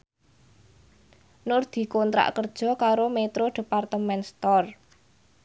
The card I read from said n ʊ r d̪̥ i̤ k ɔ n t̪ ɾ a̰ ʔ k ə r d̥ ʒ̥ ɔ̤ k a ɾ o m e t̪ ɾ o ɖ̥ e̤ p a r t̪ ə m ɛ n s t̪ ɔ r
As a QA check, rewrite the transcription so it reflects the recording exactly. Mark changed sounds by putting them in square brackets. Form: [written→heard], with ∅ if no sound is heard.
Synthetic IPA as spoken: n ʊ r d̪̥ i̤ k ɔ n t̪ ɾ a̰ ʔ k ə r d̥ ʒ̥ ɔ̤ k a ɾ o m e t̪ ɾ o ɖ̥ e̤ p a r t̪ ə m ɛ n s t̪ ɔ r